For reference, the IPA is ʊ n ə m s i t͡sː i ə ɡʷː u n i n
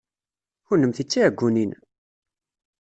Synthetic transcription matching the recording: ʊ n ə m θ i t͡sː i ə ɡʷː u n i n